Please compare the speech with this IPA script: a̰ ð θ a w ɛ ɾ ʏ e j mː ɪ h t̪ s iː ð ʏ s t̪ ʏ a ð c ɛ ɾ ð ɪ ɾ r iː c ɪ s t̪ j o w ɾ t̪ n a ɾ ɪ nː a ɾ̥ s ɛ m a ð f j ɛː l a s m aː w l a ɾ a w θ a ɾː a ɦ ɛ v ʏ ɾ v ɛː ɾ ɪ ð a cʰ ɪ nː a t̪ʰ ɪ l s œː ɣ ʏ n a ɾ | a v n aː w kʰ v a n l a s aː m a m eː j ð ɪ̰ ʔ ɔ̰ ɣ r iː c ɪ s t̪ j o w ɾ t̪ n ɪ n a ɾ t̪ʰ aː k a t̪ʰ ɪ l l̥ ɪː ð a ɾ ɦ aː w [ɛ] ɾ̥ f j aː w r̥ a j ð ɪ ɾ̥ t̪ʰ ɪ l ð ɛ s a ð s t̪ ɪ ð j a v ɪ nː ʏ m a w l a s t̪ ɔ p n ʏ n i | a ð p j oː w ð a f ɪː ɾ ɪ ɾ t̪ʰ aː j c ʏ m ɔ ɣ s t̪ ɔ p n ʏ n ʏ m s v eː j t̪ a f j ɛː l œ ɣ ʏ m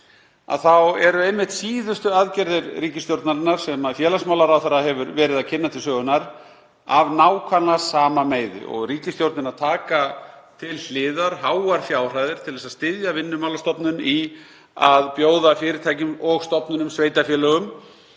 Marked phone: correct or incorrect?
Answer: incorrect